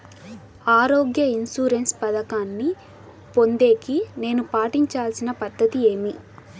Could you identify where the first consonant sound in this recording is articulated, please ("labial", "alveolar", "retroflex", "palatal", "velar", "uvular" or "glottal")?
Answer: alveolar